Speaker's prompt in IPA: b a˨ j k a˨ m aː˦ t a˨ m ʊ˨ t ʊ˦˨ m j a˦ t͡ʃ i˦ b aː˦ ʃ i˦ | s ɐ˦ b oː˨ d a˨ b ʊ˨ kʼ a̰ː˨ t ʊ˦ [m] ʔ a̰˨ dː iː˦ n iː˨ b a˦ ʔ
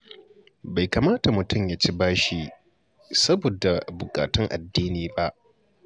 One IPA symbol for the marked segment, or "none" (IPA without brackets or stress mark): ŋ